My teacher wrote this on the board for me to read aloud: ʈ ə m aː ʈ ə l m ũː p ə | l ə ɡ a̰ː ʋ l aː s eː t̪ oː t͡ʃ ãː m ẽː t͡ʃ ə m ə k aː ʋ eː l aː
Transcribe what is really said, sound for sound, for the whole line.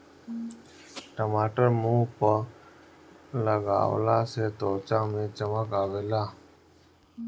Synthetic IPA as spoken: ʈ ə m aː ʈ ə ɾ m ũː p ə | l ə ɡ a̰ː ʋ l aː s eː t̪ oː t͡ʃ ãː m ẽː t͡ʃ ə m ə k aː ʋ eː l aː